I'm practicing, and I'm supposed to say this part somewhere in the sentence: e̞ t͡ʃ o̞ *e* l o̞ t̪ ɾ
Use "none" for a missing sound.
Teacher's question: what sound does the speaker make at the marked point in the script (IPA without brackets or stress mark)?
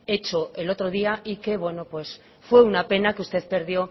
e